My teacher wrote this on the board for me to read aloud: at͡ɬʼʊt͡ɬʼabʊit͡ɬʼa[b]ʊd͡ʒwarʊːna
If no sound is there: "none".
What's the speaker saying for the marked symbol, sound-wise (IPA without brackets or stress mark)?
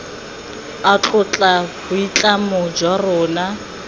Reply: m